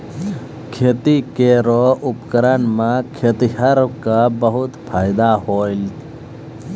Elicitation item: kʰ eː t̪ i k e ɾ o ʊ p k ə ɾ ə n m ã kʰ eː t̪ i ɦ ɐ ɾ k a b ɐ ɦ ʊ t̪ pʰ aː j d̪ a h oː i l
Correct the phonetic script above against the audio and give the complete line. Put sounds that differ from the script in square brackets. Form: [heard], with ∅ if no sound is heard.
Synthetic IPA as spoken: kʰ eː t̪ i k e ɾ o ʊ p k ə ɾ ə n m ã kʰ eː t̪ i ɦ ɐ ɾ k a b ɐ ɦ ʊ t̪ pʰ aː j d̪ a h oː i l